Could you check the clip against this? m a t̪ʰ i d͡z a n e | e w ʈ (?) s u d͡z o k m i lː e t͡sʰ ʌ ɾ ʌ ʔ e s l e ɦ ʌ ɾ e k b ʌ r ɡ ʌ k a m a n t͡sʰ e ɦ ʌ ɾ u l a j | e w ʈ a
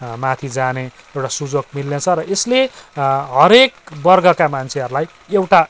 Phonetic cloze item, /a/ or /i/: a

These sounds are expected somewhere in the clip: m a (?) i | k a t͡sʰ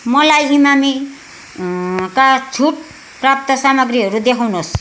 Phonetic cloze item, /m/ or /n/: m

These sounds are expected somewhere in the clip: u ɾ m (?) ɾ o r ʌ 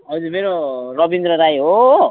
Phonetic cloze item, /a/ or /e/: e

